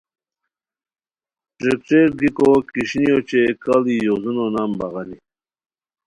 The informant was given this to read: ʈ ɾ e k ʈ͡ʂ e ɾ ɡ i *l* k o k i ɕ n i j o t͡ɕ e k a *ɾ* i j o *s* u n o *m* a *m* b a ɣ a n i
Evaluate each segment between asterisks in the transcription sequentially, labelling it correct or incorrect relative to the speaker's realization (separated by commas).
incorrect, incorrect, incorrect, incorrect, correct